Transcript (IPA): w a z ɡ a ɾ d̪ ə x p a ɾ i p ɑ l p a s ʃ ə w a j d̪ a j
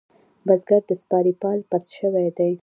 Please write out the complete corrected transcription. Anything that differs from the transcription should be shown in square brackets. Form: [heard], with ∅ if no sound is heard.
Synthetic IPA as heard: [b] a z ɡ a ɾ d̪ ə [s] p [ɑ] ɾ i p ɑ l p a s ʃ ə w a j d̪ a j